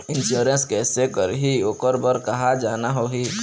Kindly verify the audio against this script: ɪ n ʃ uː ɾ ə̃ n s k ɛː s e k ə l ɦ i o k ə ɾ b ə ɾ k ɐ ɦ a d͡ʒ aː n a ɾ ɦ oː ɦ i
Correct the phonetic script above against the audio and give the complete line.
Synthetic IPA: ɪ n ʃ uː ɾ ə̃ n s k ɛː s e k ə ɾ ɦ i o k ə ɾ b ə ɾ k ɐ ɦ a d͡ʒ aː n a ɦ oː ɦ i